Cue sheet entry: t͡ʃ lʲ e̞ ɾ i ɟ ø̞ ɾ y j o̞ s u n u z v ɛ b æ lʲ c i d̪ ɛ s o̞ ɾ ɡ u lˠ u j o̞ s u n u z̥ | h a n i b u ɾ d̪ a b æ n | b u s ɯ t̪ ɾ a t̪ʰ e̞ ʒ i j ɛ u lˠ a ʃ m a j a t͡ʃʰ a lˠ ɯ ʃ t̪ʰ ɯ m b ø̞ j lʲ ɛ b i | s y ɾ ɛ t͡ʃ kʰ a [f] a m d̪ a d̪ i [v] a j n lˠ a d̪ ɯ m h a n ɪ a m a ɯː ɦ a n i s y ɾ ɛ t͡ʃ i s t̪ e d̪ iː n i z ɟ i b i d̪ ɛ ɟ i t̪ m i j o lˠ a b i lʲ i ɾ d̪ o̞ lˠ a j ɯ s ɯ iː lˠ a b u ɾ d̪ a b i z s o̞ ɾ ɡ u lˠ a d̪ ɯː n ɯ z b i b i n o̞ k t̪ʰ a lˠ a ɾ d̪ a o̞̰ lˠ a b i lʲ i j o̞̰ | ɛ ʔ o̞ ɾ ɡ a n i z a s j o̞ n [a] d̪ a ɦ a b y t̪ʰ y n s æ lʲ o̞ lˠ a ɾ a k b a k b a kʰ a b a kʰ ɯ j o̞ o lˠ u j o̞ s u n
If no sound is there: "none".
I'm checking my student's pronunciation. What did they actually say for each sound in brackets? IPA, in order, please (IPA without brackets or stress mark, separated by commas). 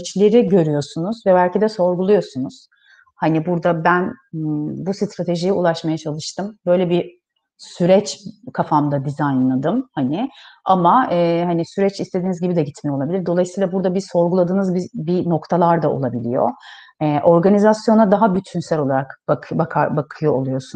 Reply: f, z, a